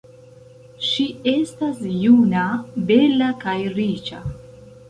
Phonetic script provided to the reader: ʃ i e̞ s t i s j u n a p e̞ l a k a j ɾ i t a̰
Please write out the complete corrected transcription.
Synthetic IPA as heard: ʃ i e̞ s t a s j u n a b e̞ l a k a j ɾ i t͡ʃ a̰